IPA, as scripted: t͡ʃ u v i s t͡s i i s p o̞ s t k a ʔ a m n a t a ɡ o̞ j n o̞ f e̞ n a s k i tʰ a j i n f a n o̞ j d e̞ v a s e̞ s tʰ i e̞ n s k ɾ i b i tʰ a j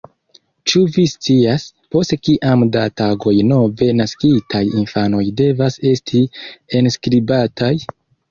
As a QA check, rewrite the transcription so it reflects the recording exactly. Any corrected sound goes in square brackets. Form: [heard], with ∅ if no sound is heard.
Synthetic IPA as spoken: t͡ʃ u v i s t͡s i [a] s p o̞ s t k [i] ʔ a m [d] a t a ɡ o̞ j n o̞ [v] e̞ n a s k i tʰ a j i n f a n o̞ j d e̞ v a s e̞ s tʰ i e̞ n s k ɾ i b [a] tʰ a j

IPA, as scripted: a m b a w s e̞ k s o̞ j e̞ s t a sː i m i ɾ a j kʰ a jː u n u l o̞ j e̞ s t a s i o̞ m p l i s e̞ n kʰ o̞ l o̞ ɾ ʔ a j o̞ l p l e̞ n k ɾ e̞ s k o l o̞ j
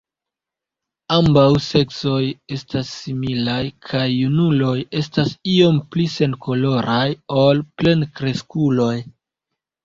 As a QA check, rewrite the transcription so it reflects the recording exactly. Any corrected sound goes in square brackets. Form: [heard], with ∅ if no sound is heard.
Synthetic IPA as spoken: a m b a w s e̞ k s o̞ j e̞ s t a sː i m i [l] a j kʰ a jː u n u l o̞ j e̞ s t a s i o̞ m p l i s e̞ n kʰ o̞ l o̞ ɾ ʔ a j o̞ l p l e̞ n k ɾ e̞ s k [u] l o̞ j

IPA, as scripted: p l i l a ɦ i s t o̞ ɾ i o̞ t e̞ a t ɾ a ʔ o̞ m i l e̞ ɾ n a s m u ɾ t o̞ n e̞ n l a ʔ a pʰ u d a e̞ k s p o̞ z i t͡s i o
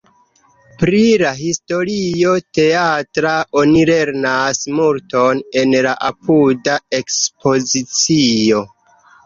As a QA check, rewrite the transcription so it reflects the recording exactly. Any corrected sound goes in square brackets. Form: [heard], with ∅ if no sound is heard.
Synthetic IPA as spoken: p [ɾ] i l a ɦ i s t o̞ ɾ i o̞ t e̞ a t ɾ a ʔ o̞ [n] i l e̞ ɾ n a s m u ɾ t o̞ n e̞ n l a ʔ a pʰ u d a e̞ k s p o̞ z i t͡s i o

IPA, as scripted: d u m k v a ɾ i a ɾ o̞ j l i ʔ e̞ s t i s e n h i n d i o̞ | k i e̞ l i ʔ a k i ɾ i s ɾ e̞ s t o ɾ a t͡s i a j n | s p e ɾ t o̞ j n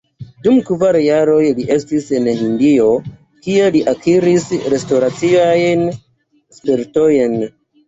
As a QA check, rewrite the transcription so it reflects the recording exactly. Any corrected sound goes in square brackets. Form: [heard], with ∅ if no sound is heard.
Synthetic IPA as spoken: d u m k v a ɾ [j] a ɾ o̞ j l i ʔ e̞ s t i s e n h i n d i o̞ | k i e̞ l i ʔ a k i ɾ i s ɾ e̞ s t o ɾ a t͡s i a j n | s p e ɾ t o̞ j n

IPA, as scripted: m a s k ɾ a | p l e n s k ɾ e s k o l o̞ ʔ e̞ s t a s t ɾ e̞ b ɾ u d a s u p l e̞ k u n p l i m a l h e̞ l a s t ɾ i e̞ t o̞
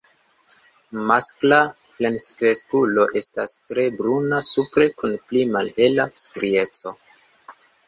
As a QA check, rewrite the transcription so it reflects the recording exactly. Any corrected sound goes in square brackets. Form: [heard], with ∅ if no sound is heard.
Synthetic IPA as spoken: m a s k [l] a | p l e n s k ɾ e s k [u] l o̞ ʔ e̞ s t a s t ɾ e̞ b ɾ u [n] a s u p [ɾ] e̞ k u n p l i m a l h e̞ l a s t ɾ i e̞ [t͡s] o̞

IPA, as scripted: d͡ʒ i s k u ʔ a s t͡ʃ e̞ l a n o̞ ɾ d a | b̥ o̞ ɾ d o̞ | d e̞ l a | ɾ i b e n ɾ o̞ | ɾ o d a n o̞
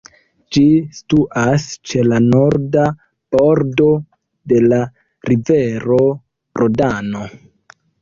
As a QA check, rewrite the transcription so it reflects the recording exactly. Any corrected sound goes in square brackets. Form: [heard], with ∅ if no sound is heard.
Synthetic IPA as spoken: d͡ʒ i s [t] u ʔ a s t͡ʃ e̞ l a n o̞ ɾ d a | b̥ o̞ ɾ d o̞ | d e̞ l a | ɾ i [v] e [∅] ɾ o̞ | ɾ o d a n o̞

